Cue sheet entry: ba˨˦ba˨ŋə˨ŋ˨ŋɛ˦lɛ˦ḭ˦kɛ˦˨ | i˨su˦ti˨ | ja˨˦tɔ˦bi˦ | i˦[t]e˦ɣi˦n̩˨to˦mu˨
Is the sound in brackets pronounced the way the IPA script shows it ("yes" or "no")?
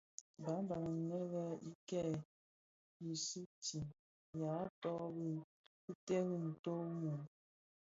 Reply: yes